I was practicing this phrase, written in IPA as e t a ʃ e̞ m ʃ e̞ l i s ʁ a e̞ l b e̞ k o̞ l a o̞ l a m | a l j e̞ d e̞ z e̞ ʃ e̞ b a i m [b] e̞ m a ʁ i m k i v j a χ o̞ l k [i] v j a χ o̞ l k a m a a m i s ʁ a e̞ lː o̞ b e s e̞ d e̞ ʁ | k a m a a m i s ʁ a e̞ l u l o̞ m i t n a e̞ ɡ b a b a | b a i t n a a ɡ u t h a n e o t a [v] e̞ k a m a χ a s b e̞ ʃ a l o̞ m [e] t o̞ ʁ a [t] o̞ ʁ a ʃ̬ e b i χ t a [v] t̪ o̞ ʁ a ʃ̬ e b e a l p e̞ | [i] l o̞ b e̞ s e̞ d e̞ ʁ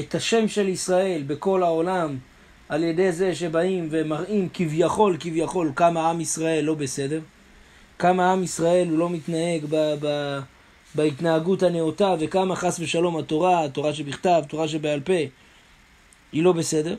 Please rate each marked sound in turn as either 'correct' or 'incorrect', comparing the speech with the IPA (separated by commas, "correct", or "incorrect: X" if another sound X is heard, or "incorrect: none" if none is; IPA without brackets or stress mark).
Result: incorrect: v, correct, correct, incorrect: a, correct, correct, correct